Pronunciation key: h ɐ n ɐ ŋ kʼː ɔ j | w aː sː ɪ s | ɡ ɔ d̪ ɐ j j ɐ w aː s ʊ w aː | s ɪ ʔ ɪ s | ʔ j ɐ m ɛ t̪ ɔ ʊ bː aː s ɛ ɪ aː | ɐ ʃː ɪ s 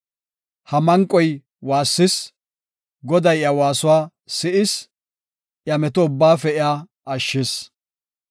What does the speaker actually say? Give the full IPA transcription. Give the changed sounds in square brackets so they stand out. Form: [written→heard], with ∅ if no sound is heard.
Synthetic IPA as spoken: h ɐ [n→m] ɐ ŋ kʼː ɔ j | w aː sː ɪ s | ɡ ɔ d̪ ɐ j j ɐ w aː s ʊ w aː | s ɪ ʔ ɪ s | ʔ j ɐ m ɛ t̪ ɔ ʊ bː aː [s→f] ɛ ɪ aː | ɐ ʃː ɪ s